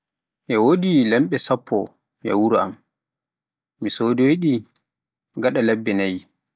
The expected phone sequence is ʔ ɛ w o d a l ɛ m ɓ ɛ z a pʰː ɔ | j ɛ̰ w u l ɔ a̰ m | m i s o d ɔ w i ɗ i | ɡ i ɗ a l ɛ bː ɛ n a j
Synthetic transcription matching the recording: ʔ ɛ w o d i l ɛ m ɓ ɛ s a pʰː ɔ | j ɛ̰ w u ɾ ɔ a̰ m | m i s o d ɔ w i ɗ i | ɡ a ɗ a l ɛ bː ɛ n a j